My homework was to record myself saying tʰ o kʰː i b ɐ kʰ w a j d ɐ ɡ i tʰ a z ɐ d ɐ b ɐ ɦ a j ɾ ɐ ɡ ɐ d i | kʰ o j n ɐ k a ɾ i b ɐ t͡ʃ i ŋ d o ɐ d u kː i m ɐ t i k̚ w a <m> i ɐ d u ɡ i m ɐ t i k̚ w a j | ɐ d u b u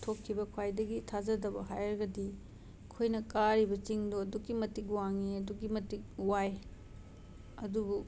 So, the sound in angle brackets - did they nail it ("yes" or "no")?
no